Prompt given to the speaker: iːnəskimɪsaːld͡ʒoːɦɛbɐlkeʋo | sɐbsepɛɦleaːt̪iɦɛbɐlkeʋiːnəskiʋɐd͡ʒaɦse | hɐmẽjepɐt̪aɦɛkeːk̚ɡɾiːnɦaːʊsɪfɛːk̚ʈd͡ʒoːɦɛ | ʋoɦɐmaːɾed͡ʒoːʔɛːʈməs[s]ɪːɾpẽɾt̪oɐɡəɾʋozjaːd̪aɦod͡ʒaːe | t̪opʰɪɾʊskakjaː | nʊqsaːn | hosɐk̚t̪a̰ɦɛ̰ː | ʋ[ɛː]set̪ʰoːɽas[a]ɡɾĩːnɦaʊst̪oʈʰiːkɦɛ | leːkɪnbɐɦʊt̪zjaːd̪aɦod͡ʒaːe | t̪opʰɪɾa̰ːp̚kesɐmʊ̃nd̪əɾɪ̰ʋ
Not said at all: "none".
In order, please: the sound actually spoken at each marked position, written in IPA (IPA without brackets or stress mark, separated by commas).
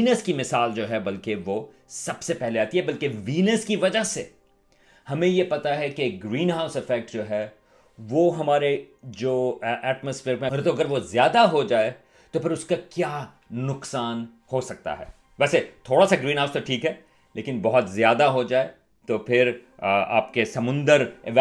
f, ɛː, a